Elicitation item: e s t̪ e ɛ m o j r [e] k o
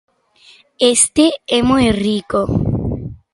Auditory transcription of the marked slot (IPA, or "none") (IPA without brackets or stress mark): i